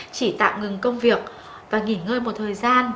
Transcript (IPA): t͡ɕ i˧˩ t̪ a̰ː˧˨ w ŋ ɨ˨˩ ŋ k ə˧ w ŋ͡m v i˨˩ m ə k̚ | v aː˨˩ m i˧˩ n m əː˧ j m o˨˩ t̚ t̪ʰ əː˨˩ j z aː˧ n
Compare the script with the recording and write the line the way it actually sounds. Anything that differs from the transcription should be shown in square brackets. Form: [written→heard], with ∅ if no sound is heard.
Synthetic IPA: t͡ɕ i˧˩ t̪ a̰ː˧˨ w ŋ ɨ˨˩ ŋ k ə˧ w ŋ͡m v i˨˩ [m→∅] ə k̚ | v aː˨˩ [m→ŋ] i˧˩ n [m→ŋ] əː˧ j m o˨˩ t̚ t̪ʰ əː˨˩ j z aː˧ n